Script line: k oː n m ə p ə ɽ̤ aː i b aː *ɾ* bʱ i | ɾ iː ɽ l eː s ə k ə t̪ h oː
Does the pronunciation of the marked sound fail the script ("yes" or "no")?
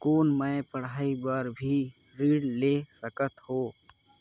no